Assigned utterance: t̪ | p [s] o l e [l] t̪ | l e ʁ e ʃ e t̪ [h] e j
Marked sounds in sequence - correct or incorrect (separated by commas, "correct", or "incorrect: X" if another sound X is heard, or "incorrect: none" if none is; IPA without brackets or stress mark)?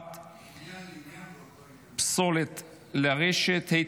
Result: correct, incorrect: none, correct